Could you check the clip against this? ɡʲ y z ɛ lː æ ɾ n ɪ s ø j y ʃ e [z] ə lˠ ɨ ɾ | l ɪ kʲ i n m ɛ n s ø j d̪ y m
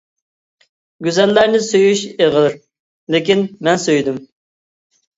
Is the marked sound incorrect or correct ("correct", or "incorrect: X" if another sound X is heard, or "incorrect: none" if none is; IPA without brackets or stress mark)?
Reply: incorrect: ʁ